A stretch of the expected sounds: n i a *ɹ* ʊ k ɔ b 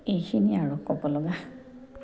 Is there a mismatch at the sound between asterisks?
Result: no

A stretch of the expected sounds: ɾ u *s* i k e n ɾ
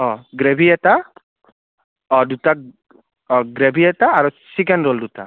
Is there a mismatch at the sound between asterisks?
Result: no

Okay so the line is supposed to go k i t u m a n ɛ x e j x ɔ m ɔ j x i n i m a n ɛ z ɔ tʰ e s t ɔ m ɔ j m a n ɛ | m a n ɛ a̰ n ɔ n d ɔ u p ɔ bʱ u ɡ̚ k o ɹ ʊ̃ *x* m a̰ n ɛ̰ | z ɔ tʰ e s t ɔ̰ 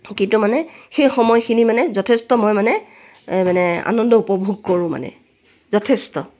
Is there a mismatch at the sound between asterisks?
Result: yes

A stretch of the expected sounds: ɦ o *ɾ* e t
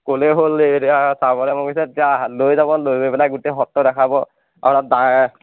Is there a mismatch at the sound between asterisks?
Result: yes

